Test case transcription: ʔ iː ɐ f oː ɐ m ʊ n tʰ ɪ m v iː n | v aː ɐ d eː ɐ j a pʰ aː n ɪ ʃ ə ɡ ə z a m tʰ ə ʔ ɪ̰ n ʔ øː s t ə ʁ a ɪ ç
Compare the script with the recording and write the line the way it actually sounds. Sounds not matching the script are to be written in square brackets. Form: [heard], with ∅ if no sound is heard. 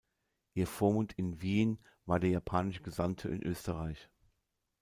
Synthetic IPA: ʔ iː ɐ f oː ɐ m ʊ n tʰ ɪ [n] v iː n | v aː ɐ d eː ɐ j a pʰ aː n ɪ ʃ ə ɡ ə z a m tʰ ə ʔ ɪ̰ n ʔ øː s t ə ʁ a ɪ ç